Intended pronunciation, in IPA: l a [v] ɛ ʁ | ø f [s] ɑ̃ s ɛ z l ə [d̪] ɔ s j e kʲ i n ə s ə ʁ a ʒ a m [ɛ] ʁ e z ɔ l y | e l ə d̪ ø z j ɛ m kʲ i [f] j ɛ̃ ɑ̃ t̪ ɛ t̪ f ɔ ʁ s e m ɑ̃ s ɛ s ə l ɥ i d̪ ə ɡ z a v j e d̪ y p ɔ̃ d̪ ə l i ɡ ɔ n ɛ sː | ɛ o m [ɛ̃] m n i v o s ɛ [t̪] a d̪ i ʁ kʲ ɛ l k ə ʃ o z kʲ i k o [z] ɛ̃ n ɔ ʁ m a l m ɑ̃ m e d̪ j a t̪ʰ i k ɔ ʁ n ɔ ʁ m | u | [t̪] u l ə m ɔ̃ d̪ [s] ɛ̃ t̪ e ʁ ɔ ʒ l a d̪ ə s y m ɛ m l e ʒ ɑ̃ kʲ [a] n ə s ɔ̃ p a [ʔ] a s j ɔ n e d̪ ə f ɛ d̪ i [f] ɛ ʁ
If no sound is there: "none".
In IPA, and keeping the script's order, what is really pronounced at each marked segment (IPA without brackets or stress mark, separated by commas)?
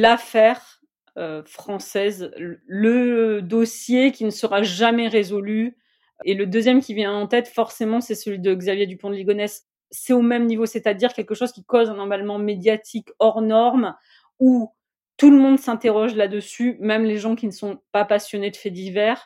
f, χ, d̪, ɛ, v, ɛ, t̪, z, t̪, s, i, p, v